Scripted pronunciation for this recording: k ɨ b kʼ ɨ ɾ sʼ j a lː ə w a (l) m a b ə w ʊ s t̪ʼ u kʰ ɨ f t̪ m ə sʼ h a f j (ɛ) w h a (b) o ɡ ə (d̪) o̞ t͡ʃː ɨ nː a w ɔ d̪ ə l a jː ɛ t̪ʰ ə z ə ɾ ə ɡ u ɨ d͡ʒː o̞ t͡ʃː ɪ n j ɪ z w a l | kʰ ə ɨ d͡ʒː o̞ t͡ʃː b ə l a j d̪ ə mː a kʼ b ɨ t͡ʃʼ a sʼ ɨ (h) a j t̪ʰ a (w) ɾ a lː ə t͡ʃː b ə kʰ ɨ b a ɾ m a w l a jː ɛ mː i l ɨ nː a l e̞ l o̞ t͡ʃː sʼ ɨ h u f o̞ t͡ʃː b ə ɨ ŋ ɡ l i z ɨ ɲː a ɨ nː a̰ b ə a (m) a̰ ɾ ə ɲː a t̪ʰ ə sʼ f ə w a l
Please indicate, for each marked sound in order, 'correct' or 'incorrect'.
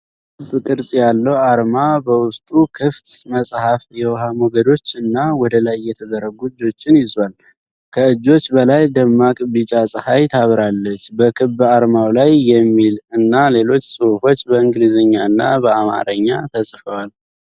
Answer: incorrect, correct, incorrect, correct, correct, incorrect, correct

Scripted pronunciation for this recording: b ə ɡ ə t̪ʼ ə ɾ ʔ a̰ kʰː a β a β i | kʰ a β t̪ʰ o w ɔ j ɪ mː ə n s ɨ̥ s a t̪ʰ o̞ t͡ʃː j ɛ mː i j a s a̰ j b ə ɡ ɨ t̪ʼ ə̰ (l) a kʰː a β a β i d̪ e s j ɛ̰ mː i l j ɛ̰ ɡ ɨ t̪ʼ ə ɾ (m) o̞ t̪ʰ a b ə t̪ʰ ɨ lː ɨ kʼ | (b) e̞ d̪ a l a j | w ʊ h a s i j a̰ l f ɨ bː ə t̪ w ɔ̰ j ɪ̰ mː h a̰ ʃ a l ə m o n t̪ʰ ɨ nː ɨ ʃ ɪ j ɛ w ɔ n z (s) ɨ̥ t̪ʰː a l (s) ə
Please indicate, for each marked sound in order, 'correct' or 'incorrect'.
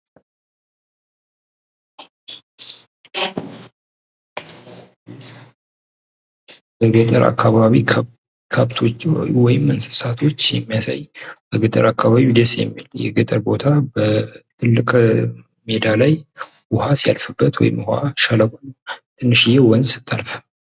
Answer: incorrect, incorrect, incorrect, correct, incorrect

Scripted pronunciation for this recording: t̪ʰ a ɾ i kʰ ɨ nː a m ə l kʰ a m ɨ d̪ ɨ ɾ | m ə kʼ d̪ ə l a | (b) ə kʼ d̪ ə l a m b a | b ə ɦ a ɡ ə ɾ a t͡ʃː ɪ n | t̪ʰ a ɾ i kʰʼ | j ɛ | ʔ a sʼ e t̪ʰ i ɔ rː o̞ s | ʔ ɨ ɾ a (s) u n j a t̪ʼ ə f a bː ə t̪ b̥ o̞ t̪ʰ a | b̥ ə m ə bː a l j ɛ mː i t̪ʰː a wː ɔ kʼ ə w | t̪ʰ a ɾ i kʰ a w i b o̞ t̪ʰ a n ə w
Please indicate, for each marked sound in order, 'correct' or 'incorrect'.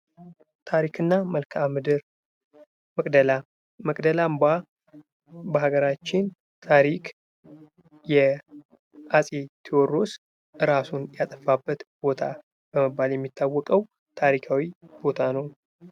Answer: incorrect, correct

